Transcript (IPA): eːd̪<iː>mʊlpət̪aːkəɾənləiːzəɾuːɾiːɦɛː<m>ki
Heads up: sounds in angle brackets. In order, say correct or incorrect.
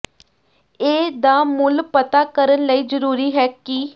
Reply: incorrect, incorrect

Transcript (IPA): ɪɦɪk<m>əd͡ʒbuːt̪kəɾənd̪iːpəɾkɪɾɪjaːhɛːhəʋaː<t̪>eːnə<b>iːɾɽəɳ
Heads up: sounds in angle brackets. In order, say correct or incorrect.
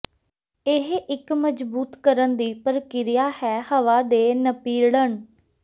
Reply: correct, incorrect, incorrect

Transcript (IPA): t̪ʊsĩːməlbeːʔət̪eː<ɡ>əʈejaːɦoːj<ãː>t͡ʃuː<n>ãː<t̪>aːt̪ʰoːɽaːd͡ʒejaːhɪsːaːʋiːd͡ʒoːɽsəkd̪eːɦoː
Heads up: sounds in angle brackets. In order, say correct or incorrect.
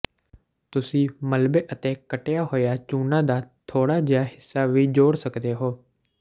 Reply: incorrect, incorrect, correct, incorrect

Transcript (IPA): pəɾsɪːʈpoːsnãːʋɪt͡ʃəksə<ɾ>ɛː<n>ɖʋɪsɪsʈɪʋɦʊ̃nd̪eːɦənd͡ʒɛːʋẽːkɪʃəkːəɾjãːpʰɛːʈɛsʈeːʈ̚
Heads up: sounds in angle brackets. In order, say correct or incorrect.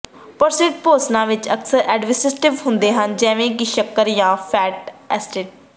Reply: correct, incorrect

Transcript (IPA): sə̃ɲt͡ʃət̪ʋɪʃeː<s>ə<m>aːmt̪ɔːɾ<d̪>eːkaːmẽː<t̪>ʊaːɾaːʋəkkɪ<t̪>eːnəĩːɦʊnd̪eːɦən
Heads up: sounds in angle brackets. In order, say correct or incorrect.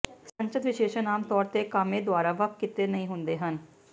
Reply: incorrect, incorrect, incorrect, incorrect, correct

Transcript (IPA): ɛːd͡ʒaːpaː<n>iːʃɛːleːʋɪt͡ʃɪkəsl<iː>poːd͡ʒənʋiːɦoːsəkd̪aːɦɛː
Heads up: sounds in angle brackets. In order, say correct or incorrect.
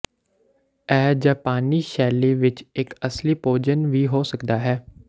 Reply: correct, correct

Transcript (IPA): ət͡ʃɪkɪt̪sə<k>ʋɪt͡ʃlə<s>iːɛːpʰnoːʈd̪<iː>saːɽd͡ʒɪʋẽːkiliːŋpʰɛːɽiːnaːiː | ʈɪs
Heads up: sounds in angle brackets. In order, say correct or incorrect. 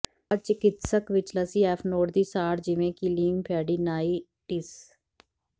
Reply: correct, correct, correct

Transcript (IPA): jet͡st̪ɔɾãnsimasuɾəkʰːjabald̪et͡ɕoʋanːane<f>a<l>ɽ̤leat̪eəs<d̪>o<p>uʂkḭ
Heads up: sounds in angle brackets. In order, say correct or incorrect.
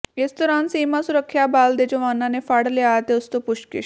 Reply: correct, incorrect, incorrect, correct

